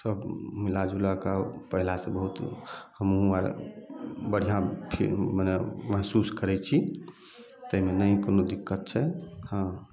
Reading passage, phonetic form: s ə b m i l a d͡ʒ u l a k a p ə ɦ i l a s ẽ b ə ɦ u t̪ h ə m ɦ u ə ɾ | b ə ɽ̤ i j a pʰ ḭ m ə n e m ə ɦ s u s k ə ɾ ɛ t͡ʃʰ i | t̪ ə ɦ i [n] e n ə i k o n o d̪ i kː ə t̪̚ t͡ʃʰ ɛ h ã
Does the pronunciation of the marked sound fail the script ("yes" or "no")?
yes